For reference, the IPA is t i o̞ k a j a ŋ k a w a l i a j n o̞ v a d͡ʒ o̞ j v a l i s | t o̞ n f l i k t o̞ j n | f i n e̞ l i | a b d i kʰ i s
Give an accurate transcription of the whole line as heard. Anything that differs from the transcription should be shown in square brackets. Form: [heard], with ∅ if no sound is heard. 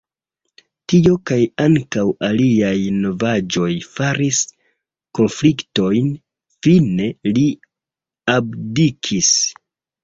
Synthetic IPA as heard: t i o̞ k a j a ŋ k a w a l i a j n o̞ v a d͡ʒ o̞ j [f] a [ɾ] i s | [k] o̞ n f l i k t o̞ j n | f i n e̞ l i | a b d i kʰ i s